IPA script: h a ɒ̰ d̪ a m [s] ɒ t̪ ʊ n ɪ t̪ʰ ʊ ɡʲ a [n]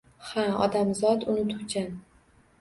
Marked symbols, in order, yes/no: no, yes

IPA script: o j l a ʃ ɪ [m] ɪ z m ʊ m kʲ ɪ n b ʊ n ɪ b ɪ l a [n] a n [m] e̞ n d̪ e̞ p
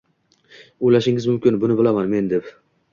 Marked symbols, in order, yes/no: no, no, yes

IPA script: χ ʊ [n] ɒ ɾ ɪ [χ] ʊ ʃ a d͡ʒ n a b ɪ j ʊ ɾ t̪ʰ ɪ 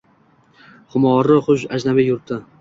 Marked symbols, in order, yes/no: no, yes

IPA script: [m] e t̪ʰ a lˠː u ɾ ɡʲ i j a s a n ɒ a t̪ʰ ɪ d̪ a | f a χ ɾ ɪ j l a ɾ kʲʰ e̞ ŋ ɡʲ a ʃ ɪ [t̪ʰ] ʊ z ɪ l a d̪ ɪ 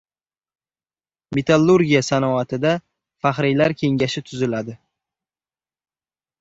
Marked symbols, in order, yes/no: yes, yes

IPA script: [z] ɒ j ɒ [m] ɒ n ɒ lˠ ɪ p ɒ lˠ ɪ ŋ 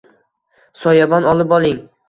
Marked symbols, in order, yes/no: no, no

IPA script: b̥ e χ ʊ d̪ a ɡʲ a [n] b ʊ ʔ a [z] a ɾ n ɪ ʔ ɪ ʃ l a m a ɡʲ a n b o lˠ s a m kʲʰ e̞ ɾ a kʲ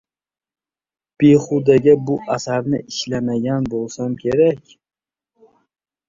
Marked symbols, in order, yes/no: no, no

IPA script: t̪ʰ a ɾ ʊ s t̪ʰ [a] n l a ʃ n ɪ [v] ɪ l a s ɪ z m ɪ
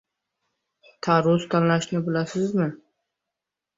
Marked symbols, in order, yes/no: yes, no

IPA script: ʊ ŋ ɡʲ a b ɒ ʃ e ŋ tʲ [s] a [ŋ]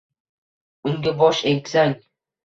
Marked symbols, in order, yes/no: yes, yes

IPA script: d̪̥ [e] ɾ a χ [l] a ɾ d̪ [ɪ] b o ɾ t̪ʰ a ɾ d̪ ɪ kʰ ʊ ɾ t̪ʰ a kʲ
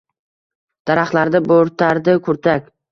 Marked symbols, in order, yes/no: no, yes, yes

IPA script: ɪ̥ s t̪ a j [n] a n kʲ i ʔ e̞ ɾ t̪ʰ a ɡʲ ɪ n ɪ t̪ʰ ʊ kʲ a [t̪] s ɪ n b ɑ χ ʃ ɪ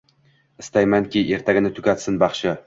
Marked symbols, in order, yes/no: no, yes

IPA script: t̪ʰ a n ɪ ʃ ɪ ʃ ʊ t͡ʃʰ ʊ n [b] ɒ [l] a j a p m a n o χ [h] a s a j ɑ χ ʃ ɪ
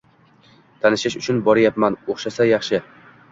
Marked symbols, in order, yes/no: yes, no, no

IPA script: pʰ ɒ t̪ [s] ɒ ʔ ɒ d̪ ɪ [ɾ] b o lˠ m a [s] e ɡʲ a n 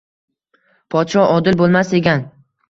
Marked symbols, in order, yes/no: no, no, yes

